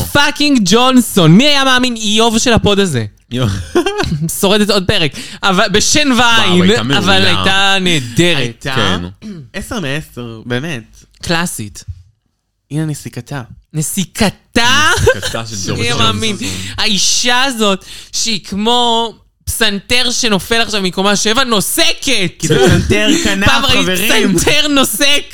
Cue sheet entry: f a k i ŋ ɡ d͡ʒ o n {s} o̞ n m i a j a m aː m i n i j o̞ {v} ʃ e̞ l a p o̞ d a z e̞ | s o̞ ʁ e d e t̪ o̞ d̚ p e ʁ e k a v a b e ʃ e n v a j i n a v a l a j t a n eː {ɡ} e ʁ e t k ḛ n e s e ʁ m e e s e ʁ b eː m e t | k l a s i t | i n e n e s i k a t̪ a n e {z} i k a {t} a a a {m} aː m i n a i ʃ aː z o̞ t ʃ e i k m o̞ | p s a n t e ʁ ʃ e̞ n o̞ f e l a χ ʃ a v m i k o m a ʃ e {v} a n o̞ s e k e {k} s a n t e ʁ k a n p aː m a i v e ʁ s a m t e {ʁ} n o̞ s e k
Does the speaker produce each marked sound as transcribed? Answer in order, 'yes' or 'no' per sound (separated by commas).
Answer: yes, yes, no, no, yes, yes, yes, no, yes